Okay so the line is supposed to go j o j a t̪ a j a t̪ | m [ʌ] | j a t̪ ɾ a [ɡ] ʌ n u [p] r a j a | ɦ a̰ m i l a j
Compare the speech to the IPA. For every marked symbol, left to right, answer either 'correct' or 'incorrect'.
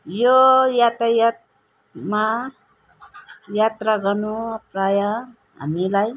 incorrect: a, correct, correct

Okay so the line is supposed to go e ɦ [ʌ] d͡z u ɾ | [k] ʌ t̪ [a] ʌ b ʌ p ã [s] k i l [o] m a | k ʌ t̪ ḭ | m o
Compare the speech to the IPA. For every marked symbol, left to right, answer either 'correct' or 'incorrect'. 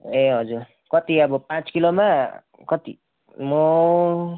correct, correct, incorrect: i, incorrect: t͡s, correct

